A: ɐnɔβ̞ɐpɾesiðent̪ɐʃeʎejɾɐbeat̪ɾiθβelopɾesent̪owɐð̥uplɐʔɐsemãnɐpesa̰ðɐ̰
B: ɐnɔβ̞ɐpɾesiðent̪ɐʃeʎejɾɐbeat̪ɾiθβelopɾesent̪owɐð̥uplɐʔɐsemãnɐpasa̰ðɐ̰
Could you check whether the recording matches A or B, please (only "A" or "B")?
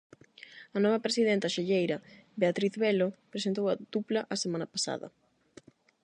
B